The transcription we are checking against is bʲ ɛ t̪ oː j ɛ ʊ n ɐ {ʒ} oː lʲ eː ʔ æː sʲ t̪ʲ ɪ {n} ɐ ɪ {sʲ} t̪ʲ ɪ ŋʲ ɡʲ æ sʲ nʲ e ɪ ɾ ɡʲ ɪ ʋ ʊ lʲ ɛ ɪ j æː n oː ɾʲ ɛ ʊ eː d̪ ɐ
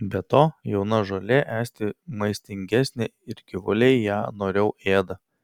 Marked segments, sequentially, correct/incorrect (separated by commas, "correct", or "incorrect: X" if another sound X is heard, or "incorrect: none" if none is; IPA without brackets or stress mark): correct, incorrect: m, correct